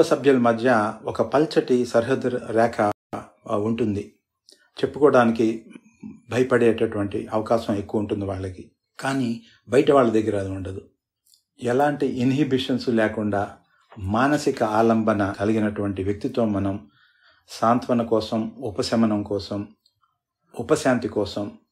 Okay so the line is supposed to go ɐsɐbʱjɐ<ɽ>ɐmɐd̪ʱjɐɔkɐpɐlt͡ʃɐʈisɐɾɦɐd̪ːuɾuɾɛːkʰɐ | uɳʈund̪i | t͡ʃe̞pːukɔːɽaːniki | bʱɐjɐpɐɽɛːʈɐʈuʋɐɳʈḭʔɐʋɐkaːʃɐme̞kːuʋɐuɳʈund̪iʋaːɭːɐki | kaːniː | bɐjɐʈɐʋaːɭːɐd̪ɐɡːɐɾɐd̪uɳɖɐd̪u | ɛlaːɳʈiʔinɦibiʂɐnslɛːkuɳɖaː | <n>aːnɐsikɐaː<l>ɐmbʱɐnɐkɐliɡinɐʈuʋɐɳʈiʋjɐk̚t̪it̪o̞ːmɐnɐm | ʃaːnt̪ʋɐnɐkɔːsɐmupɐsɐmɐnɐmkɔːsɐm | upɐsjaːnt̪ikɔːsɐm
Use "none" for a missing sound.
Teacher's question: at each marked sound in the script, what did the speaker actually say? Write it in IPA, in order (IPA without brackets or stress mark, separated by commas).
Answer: l, m, l